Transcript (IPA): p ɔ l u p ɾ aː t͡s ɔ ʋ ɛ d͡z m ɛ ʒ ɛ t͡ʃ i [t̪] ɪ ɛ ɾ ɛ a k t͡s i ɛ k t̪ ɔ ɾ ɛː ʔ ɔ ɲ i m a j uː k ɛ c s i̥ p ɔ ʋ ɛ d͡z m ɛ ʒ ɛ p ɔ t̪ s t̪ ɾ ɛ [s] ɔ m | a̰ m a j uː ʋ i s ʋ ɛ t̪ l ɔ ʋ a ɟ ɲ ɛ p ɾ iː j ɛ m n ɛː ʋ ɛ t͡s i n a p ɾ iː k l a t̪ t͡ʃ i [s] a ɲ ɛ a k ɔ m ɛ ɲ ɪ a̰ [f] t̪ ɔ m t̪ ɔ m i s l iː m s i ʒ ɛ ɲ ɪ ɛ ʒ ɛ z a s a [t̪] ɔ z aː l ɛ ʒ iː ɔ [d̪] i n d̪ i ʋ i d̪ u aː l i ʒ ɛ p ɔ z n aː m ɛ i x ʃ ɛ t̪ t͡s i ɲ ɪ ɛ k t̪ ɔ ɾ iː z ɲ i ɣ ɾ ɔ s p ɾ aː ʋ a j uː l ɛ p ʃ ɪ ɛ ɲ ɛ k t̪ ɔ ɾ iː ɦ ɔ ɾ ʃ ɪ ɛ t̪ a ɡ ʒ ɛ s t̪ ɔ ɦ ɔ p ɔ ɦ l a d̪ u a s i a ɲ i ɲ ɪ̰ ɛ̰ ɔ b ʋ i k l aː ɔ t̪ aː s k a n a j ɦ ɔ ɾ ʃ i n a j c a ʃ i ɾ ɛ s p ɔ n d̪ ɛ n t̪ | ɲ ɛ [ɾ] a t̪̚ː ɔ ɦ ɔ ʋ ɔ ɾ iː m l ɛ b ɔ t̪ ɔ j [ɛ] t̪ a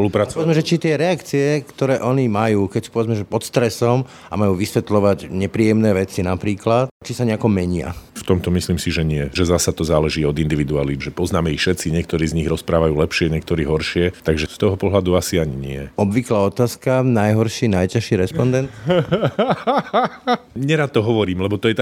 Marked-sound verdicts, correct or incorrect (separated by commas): correct, correct, correct, correct, correct, correct, correct, correct